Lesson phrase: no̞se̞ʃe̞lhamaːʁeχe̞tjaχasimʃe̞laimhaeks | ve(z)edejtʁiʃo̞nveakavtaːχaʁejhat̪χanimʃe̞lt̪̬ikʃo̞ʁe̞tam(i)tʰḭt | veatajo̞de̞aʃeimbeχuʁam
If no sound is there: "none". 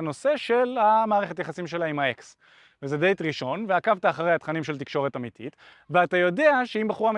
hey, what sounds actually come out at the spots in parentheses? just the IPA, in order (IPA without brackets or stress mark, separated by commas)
z, i